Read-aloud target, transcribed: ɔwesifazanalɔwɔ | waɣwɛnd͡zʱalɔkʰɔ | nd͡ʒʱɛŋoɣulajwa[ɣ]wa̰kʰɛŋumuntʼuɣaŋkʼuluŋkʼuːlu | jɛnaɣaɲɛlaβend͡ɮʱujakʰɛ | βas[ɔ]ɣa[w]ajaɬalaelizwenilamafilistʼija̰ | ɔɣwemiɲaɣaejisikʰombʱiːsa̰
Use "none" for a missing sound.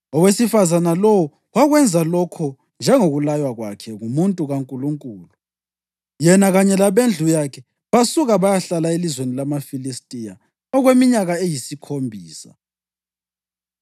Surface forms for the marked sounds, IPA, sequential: ɣ, u, β

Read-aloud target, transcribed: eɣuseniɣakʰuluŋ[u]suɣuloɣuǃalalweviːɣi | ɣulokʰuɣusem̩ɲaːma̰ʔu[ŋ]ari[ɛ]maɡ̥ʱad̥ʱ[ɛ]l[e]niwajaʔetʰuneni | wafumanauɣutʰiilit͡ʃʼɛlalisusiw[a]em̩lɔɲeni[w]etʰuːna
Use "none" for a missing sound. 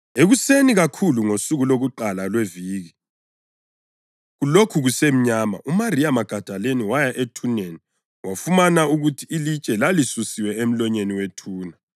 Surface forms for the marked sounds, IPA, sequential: o, m, a, a, e, ɛ, w

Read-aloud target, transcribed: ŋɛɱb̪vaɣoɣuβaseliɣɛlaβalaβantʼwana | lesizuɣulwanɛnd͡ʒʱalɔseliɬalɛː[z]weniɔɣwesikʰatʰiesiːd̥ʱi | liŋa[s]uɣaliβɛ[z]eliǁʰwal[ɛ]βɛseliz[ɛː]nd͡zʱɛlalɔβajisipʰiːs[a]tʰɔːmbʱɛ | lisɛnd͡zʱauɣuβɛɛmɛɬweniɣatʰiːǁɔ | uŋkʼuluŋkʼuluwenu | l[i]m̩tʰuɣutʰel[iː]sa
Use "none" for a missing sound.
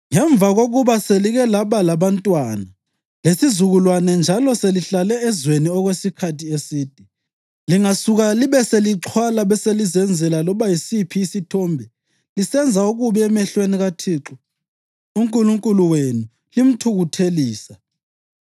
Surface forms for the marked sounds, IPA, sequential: z, s, s, a, ɛ, i, i, iː

